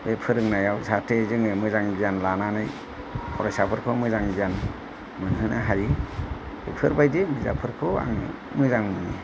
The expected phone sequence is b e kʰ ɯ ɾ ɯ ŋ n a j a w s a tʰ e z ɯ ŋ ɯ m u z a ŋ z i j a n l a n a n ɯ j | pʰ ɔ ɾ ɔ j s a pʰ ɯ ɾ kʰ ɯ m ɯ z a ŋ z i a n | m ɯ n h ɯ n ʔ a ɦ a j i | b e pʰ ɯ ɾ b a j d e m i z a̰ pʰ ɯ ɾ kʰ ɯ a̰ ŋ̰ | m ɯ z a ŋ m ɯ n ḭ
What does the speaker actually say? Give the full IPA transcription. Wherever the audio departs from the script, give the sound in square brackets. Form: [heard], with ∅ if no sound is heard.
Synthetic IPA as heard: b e [pʰ] ɯ ɾ ɯ ŋ n a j a w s a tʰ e z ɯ ŋ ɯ m [ɯ] z a ŋ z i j a n l a n a n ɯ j | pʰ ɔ ɾ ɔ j s a pʰ ɯ ɾ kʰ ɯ m ɯ z a ŋ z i a n | m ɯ n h ɯ n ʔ a ɦ a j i | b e pʰ ɯ ɾ b a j d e m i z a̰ pʰ ɯ ɾ kʰ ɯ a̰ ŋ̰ | m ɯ z a ŋ m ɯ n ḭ

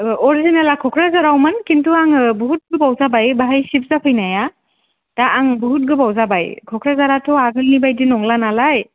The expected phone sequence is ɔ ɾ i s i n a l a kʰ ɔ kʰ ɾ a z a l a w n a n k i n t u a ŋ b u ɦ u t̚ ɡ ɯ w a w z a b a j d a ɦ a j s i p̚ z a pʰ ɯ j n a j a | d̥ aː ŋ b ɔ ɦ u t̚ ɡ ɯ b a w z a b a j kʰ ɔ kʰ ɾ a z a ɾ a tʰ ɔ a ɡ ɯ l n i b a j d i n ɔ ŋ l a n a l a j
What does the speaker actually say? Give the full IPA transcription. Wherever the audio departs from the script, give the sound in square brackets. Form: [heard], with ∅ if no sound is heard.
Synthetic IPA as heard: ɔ ɾ i [z] i n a l a kʰ ɔ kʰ ɾ a z a [ɾ] a w [m] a n k i n t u a ŋ b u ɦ u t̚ ɡ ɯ [b] a w z a b a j [b] a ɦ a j s i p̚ z a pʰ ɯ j n a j a | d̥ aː ŋ b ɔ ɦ u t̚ ɡ ɯ b a w z a b a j kʰ ɔ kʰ ɾ a z a ɾ a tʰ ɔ a ɡ ɯ l n i b a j d i n ɔ ŋ l a n a l a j

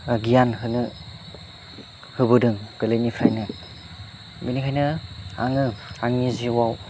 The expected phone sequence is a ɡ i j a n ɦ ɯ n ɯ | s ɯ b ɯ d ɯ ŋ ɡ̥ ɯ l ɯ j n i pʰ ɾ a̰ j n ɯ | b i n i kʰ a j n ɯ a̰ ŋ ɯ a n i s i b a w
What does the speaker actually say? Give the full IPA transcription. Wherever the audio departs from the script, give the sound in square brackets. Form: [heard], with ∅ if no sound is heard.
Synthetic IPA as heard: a ɡ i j a n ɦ ɯ n ɯ | [h] ɯ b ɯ d ɯ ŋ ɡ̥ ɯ l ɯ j n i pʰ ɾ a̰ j n ɯ | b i n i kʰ a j n ɯ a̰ ŋ ɯ a [ŋ] i [z] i [w] a w

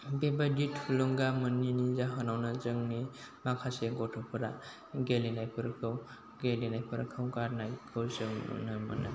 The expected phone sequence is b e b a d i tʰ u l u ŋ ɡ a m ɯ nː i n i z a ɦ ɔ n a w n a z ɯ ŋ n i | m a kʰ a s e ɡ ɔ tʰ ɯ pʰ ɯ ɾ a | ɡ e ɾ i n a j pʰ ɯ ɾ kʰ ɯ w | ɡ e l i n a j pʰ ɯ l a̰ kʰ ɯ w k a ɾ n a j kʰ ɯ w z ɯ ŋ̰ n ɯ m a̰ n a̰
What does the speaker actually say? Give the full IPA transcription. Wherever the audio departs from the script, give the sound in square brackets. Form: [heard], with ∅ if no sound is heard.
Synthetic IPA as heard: b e b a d i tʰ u l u ŋ ɡ a m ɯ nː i n i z a ɦ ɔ n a w n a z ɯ ŋ n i | m a kʰ a s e ɡ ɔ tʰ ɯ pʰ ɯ ɾ a | ɡ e [l] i n a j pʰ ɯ ɾ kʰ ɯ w | ɡ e l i n a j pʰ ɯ [ɾ] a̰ kʰ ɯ w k a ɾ n a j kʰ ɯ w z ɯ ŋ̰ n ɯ m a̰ n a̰

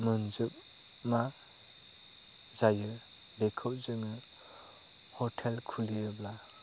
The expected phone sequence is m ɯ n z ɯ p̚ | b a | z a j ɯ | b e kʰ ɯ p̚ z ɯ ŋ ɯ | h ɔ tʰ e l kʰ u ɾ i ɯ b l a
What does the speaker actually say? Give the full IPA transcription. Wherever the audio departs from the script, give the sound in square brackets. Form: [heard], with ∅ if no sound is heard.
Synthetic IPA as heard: m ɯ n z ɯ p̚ | [m] a | z a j ɯ | b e kʰ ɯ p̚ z ɯ ŋ ɯ | h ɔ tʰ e l kʰ u [l] i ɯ b l a

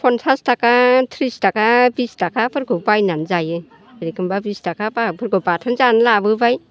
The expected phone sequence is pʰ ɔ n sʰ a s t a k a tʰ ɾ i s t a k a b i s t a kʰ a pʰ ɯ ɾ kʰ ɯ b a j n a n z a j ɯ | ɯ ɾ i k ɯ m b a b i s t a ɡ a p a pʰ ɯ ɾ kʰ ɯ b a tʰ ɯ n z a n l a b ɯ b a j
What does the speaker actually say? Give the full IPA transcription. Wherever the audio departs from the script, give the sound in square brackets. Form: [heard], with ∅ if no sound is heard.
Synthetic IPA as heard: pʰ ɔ n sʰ a s t a k a tʰ ɾ i s t a k a b i s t a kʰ a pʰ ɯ ɾ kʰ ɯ b a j n a n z a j ɯ | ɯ ɾ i k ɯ m b a b i s t a [k] a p a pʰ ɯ ɾ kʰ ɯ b a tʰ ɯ n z a n l a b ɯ b a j

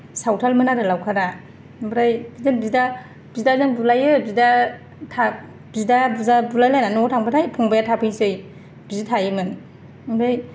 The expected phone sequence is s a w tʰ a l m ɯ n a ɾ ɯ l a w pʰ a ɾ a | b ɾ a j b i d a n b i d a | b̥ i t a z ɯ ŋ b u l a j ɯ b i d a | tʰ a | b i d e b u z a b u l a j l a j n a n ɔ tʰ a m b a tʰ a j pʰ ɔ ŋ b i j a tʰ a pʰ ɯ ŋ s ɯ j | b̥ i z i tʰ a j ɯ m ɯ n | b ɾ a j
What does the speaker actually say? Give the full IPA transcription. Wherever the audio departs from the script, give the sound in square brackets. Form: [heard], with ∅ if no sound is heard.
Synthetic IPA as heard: s a w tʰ a l m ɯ n a ɾ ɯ l a w [kʰ] a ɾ a | b ɾ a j b i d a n b i d a | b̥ i [d] a z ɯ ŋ b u l a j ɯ b i d a | tʰ a | b i d [a] b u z a b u l a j l a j n a n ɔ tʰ a [ŋ] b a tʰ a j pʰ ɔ ŋ b [a] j a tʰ a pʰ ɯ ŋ s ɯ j | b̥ i z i tʰ a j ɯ m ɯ n | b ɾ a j

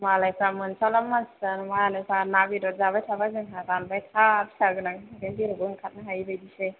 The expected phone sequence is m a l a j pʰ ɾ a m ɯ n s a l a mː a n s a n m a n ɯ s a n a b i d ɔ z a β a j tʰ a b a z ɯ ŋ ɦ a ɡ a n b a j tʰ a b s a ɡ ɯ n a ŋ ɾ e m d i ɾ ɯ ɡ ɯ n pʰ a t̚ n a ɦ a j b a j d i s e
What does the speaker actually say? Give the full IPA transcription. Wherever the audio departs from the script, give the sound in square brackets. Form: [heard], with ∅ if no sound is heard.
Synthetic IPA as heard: m a l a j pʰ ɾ a m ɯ n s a l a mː a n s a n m a n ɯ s a n a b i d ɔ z a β a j tʰ a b a z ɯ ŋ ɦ a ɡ a n b a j tʰ a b s a ɡ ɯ n a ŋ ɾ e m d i ɾ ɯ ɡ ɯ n [kʰ] a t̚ n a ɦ a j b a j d i s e

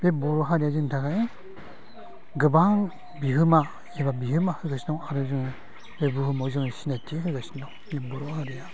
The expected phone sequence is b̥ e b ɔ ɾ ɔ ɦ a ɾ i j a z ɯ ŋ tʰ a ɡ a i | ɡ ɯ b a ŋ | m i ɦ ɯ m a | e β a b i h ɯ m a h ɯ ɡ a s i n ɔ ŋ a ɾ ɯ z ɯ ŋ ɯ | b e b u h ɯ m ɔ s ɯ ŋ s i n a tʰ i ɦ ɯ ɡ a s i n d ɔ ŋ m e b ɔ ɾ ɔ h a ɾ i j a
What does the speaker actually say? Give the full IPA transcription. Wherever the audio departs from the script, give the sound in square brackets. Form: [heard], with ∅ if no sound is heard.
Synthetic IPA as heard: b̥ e b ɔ ɾ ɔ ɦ a ɾ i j a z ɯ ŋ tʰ a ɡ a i | ɡ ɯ b a ŋ | [b] i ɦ ɯ m a | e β a b i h ɯ m a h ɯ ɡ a s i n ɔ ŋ a ɾ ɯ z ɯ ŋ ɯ | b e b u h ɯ m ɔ [z] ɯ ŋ s i n a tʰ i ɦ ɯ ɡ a s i n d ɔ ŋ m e b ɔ ɾ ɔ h a ɾ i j a

